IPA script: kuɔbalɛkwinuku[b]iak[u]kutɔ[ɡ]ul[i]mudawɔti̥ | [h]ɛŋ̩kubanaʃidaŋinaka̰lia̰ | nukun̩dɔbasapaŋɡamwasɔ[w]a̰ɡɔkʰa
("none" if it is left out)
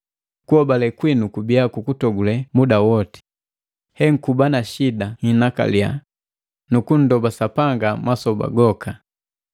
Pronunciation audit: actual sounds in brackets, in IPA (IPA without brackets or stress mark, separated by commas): b, u, ɡ, ɛ, h, b